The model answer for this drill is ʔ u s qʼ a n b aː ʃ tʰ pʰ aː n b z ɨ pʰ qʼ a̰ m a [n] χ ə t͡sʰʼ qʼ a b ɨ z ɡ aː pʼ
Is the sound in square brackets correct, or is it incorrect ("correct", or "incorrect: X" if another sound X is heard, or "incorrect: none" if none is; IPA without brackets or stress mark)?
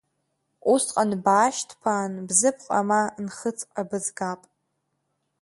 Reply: correct